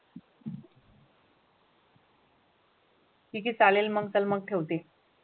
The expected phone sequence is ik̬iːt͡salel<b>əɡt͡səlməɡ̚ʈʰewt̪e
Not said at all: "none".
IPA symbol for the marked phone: m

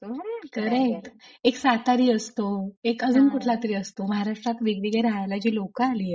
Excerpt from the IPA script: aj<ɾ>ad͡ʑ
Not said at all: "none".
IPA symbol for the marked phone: l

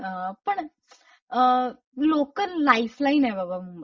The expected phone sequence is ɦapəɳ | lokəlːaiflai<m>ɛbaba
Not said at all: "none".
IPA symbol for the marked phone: n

